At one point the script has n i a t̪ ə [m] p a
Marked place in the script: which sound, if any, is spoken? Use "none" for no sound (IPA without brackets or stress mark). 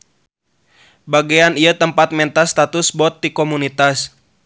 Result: m